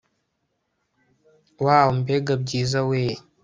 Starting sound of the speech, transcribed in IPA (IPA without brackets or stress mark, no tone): w